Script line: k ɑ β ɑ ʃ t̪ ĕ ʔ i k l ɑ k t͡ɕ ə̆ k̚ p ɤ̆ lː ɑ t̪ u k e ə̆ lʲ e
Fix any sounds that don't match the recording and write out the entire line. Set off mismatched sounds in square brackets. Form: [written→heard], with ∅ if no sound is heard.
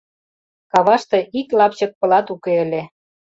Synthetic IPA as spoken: k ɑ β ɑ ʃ t̪ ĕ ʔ i k l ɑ [k→p] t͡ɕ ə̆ k̚ p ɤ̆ [lː→l] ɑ t̪ u k e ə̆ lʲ e